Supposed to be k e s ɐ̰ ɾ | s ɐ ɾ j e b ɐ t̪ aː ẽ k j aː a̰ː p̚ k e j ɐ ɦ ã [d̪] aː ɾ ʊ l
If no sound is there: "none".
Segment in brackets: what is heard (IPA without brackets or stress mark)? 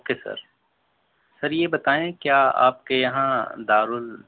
d̪